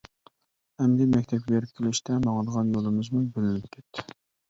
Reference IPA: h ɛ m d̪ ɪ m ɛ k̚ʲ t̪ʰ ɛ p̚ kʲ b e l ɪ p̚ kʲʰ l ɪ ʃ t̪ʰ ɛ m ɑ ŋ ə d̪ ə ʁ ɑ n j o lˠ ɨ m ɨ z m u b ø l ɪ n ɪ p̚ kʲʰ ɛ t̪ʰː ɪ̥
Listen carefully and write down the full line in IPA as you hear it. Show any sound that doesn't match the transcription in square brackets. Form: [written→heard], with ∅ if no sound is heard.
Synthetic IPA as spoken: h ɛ m d̪ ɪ m ɛ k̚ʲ t̪ʰ ɛ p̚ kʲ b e [l→ɾ] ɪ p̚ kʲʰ l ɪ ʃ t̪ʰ ɛ m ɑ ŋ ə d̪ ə ʁ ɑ n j o lˠ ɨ m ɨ z m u b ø l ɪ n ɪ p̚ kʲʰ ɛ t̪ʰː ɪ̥